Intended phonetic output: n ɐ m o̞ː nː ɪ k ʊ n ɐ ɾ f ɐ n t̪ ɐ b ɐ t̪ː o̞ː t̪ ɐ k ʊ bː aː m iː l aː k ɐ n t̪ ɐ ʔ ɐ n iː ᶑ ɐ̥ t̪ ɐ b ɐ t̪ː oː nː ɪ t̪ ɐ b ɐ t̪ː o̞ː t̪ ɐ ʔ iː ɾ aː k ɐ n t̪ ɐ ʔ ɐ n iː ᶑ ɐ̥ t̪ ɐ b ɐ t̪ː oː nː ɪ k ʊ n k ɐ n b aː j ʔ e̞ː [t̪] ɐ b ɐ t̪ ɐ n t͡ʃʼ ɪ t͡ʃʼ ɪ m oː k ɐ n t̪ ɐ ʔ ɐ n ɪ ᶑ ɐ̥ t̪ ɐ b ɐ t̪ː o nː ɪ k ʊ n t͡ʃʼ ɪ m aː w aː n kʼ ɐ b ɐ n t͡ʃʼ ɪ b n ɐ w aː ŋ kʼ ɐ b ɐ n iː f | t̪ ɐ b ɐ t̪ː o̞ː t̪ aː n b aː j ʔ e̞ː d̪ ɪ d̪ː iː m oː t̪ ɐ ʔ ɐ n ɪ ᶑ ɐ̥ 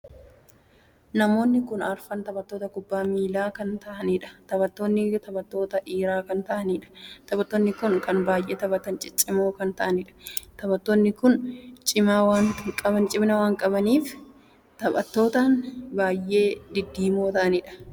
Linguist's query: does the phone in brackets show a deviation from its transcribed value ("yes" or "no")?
no